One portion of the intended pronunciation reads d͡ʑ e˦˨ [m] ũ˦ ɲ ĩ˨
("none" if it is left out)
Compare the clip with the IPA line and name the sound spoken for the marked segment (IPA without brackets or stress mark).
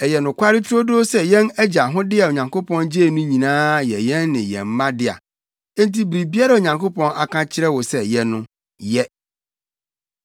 n